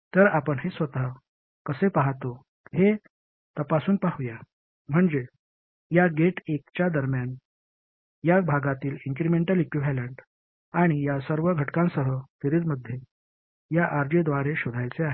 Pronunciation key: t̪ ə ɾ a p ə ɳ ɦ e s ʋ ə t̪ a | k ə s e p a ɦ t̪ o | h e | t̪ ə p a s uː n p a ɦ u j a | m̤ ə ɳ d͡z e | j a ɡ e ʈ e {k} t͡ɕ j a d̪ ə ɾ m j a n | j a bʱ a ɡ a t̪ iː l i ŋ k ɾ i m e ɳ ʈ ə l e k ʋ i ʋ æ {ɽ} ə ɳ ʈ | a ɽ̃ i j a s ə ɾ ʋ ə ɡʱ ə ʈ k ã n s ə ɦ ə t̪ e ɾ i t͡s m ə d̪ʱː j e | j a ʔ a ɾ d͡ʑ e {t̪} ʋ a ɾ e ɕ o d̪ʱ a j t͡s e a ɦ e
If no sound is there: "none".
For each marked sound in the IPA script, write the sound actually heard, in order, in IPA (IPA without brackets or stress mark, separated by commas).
k, l, d̪